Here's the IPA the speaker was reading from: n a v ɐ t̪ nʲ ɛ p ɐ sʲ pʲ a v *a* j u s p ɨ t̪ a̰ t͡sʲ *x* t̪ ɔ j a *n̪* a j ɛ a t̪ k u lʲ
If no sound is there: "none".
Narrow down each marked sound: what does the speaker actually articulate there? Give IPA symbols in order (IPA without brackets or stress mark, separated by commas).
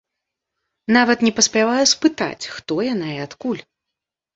a, x, n̪